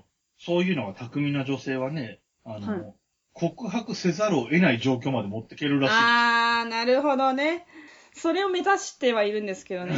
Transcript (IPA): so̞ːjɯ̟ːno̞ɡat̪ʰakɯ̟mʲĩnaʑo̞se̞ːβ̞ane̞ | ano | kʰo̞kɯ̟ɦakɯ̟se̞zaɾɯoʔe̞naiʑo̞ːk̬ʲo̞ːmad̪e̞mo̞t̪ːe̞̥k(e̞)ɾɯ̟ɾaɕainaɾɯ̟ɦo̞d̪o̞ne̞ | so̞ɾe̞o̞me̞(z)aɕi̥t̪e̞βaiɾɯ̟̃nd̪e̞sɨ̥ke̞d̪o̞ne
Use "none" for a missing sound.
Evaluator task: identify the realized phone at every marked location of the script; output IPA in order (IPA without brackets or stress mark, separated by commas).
e̞, z